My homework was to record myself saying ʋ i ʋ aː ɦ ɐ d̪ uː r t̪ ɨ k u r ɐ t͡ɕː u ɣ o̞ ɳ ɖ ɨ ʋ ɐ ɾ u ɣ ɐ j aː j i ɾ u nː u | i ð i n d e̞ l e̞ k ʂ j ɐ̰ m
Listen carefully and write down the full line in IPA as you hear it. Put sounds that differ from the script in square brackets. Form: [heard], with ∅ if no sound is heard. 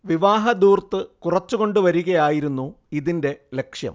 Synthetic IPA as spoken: ʋ i ʋ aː ɦ ɐ d̪ uː r t̪ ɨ k u r ɐ t͡ɕː u ɣ o̞ ɳ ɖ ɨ ʋ ɐ ɾ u ɣ ɐ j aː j i ɾ u nː u | i ð i n d e̞ l e̞ k ʂ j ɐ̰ m